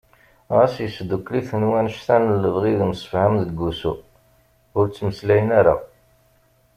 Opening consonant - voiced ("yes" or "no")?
yes